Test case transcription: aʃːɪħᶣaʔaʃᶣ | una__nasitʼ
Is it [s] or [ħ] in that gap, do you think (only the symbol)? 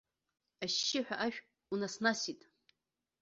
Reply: s